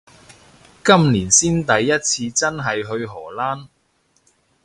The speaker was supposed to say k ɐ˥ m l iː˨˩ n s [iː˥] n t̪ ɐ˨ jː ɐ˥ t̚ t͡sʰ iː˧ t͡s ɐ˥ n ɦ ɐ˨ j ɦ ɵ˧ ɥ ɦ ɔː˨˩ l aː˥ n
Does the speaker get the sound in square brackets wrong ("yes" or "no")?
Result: no